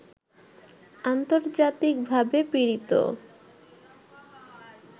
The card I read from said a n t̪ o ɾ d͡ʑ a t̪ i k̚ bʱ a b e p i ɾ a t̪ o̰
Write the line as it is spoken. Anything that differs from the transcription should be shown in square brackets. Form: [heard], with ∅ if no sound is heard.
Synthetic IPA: a n t̪ o ɾ d͡ʑ a t̪ i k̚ bʱ a b e p i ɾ [i] t̪ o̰